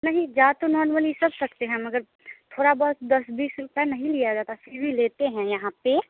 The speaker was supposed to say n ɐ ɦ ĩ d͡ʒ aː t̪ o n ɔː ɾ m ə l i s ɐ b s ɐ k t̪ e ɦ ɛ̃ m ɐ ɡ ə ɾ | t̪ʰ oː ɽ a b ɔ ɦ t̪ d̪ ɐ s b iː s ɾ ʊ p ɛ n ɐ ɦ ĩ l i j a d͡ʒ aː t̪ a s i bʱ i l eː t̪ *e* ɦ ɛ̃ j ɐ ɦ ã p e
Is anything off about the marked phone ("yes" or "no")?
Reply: no